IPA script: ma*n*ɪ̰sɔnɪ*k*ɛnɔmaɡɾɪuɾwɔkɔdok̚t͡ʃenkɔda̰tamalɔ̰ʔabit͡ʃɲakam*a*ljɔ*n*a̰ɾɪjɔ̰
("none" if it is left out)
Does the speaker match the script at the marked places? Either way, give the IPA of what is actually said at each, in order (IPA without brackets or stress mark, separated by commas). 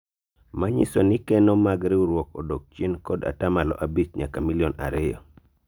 ɲ, k, i, n